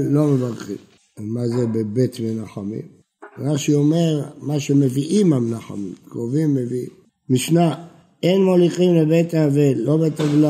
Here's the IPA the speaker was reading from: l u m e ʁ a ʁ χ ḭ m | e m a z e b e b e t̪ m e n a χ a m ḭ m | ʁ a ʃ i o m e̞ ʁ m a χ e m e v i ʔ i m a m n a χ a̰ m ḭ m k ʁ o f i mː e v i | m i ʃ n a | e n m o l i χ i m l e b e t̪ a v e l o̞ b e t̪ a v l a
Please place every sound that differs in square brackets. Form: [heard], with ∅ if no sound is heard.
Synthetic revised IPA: l [o] m e [v] a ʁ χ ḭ m | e m a z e b e b e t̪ m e n a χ a m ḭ m | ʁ a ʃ i o m e̞ ʁ m a [ʃ] e m e v i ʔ i m a m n a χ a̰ m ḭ m k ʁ o [v] i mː e v i | m i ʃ n a | e n m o l i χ i m l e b e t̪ a v e l o̞ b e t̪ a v l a